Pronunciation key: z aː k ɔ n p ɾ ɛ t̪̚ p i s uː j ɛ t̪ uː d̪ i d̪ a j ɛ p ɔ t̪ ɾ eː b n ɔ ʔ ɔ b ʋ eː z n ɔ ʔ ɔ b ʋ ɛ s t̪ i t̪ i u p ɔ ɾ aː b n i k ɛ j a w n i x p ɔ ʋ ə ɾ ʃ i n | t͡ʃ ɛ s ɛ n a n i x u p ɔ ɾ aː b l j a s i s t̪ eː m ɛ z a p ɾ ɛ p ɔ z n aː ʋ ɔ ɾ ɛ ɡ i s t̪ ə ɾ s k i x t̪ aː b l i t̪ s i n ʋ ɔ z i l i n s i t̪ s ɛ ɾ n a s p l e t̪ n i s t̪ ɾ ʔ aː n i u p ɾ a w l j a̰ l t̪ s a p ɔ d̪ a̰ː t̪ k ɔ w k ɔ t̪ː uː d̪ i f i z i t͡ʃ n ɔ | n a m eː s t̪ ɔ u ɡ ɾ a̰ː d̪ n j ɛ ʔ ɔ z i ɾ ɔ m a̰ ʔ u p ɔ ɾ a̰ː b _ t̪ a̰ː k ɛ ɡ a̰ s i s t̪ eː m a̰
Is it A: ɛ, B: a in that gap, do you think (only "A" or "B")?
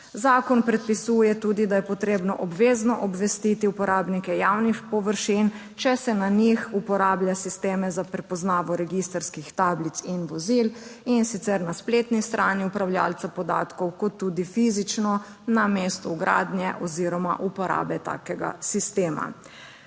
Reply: A